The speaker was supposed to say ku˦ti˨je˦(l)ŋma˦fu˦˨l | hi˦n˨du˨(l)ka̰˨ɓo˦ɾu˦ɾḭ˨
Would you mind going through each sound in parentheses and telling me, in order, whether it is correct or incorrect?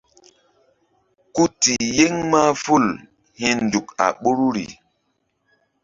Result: incorrect, incorrect

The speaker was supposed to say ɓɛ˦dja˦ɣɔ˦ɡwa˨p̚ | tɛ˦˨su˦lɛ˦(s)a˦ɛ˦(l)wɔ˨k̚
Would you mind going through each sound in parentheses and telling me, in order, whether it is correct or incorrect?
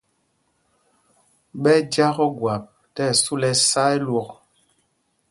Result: correct, correct

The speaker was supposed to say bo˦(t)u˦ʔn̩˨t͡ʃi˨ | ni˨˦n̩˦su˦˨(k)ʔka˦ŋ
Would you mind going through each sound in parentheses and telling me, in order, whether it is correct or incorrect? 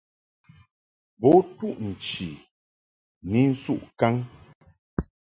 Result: correct, incorrect

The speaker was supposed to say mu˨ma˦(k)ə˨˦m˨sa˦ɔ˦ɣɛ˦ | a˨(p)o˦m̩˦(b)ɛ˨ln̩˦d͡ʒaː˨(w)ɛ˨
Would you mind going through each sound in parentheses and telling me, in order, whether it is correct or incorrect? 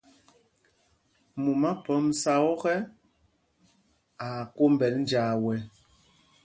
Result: incorrect, incorrect, correct, correct

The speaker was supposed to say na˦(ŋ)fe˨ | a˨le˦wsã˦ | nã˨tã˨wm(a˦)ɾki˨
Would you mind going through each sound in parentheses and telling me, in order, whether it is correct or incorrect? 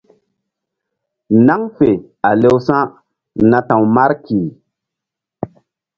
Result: correct, correct

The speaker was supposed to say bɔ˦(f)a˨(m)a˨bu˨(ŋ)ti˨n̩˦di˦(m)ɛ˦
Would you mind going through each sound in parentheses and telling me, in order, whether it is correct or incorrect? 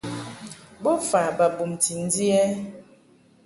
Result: correct, incorrect, incorrect, incorrect

